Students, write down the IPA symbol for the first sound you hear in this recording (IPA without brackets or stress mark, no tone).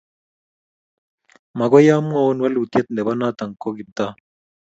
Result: m